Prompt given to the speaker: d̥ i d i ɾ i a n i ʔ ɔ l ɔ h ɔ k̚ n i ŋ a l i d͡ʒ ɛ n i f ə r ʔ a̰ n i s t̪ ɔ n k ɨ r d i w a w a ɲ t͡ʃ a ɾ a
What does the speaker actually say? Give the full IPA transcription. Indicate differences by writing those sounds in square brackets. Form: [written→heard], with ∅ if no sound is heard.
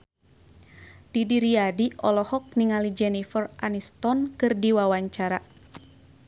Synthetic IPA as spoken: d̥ i d i ɾ i a [n→d] i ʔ ɔ l ɔ h ɔ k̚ n i ŋ a l i d͡ʒ ɛ n i f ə r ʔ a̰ n i s t̪ ɔ n k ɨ r d i w a w a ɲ t͡ʃ a ɾ a